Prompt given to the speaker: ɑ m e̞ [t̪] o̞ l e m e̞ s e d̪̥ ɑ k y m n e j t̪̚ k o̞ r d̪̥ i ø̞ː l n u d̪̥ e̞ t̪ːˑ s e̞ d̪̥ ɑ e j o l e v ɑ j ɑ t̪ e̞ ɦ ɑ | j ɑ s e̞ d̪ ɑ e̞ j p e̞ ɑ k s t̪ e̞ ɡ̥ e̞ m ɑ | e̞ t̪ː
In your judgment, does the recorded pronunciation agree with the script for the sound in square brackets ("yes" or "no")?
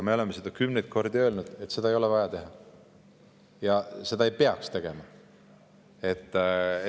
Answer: no